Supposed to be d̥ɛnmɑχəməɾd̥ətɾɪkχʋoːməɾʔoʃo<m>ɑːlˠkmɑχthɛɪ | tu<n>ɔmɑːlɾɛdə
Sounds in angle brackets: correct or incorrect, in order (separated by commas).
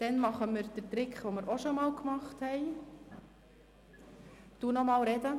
correct, correct